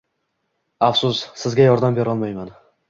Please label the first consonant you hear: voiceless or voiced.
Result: voiceless